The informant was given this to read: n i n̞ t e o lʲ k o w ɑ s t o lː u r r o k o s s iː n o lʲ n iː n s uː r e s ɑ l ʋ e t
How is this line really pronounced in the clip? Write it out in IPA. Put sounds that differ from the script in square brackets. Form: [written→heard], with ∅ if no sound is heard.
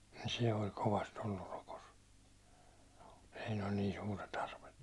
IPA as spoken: n i n̞ [t→s] e o lʲ k o [w→ʋ] ɑ s t o lː u r r o k o s s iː n o lʲ n iː n s uː r e [s→t] ɑ [l→r] ʋ e t